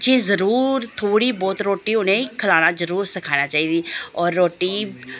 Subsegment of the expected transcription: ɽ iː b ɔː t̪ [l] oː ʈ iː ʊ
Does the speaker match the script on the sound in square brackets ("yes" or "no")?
no